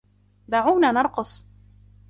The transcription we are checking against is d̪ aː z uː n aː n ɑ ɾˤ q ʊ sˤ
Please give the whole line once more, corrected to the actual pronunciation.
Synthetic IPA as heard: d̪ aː ʕ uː n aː n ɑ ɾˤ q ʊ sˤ